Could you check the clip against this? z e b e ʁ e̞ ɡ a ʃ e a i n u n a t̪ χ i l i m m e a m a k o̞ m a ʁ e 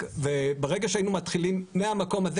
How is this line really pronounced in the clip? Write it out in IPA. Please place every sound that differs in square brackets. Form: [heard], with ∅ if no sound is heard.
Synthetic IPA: [v] e b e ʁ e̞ ɡ a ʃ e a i n u [m] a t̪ χ i l i m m e a m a k o̞ m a [z] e